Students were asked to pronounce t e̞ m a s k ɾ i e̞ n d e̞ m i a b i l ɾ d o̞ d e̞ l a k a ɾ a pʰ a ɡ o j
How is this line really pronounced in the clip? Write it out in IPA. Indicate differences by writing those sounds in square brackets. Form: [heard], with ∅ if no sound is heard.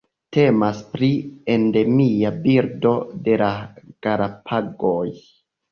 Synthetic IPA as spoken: t e̞ m a s [p] ɾ i e̞ n d e̞ m i a b i [∅] ɾ d o̞ d e̞ l a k a ɾ a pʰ a ɡ o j